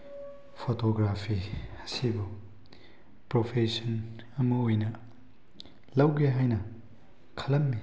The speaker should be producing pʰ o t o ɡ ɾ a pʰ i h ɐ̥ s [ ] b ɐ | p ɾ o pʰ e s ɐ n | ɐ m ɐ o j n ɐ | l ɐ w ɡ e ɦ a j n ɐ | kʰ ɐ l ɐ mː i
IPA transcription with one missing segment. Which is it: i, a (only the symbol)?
i